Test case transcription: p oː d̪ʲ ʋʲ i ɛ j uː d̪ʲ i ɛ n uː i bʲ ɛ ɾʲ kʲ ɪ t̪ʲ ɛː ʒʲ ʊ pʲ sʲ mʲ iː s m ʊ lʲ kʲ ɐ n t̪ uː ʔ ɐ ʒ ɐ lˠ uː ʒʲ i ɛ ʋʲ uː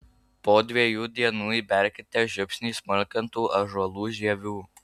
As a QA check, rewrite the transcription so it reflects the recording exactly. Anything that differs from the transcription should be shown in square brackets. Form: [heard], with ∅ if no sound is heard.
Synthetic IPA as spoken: p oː d̪ʲ ʋʲ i ɛ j uː d̪ʲ i ɛ n uː i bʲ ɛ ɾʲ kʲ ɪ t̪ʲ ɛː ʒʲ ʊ pʲ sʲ [nʲ] iː s m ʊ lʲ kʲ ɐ n t̪ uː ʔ ɐ ʒ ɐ lˠ uː ʒʲ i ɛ ʋʲ uː